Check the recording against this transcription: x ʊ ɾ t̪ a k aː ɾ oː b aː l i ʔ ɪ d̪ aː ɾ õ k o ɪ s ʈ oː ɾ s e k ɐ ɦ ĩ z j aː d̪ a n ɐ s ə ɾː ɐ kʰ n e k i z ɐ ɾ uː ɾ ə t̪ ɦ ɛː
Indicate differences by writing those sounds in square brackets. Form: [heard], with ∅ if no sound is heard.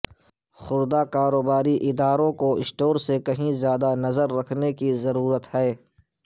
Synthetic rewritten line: x ʊ ɾ [d̪] a k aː ɾ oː b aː [ɾ] i ʔ ɪ d̪ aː ɾ õ k o ɪ s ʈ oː ɾ s e k ɐ ɦ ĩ z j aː d̪ a n ɐ [z] ə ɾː ɐ kʰ n e k i z ɐ ɾ uː ɾ ə t̪ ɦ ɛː